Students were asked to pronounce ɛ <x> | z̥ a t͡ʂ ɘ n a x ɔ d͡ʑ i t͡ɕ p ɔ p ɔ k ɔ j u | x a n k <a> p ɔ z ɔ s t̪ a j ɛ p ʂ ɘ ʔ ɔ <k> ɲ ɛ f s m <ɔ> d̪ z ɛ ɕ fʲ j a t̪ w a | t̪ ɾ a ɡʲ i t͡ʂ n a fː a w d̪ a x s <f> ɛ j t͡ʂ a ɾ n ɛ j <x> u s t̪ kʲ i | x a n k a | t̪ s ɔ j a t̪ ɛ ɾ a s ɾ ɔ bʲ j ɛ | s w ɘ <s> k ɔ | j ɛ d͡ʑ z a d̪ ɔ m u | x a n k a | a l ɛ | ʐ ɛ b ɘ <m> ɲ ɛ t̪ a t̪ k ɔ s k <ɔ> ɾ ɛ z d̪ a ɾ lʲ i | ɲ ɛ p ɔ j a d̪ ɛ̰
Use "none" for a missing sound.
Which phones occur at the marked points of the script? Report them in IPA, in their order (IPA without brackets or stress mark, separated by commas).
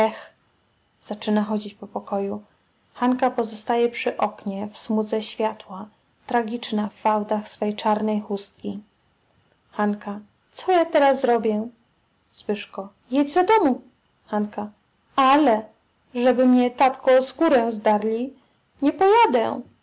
x, a, k, u, f, x, ʂ, m, u